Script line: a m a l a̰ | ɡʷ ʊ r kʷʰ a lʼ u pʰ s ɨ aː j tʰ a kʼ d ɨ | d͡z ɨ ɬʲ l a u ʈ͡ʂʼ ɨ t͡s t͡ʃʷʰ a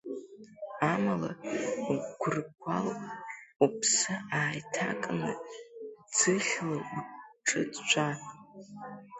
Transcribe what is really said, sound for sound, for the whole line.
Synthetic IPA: a m a l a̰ | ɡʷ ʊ r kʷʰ a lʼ u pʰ s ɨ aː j tʰ a kʼ n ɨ | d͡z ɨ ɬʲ l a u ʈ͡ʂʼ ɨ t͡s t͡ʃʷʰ a